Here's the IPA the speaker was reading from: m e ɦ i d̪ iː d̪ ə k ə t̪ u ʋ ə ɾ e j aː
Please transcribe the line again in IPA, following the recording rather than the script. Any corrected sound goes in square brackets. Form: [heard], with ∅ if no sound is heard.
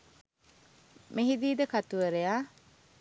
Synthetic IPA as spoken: m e ɦ i d̪ iː d̪ ə k [a] t̪ u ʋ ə ɾ e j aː